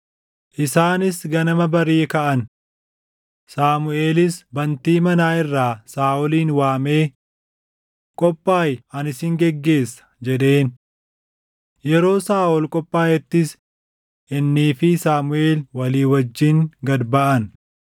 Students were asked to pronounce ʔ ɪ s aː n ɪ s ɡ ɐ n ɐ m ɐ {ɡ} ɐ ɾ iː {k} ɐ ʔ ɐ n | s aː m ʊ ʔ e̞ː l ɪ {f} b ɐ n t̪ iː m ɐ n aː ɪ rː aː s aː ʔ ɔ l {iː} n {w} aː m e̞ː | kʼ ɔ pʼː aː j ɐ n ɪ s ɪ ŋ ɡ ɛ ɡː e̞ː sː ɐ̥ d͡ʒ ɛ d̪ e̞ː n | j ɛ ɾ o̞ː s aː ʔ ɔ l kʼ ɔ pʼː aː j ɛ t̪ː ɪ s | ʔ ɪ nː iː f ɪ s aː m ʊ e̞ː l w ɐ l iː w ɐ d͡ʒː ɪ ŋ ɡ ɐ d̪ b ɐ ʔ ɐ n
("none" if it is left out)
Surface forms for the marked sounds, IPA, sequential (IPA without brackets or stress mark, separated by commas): b, k, s, iː, w